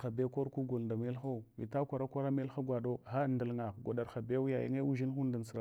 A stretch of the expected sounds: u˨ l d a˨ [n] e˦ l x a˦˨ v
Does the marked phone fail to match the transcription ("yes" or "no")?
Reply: yes